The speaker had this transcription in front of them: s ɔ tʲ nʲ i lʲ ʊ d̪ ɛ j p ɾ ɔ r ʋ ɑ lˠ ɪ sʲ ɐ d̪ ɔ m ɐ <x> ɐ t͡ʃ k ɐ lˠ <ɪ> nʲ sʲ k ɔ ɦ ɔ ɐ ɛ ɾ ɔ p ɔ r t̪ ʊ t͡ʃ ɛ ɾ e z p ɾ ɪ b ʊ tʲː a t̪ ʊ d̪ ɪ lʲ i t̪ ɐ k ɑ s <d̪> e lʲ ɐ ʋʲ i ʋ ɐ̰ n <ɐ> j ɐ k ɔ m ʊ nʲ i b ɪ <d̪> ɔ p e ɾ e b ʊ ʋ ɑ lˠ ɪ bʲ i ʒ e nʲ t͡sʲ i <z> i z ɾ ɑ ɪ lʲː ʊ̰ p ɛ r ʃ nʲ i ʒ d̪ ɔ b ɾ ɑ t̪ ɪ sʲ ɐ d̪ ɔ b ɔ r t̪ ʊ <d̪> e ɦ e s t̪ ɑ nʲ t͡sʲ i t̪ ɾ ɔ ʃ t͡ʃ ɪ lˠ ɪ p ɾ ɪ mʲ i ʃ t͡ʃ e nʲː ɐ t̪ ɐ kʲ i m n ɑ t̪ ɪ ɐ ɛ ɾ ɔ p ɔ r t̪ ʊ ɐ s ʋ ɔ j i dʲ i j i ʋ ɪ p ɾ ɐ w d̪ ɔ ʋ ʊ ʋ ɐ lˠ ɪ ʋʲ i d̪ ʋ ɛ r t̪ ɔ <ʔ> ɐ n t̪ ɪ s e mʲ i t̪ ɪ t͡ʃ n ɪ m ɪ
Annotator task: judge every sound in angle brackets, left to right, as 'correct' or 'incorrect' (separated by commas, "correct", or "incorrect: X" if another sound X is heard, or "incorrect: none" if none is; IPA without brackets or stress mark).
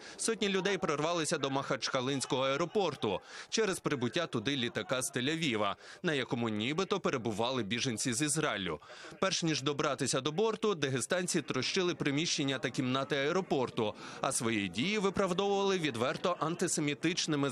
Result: correct, correct, incorrect: t̪, correct, incorrect: t̪, correct, correct, correct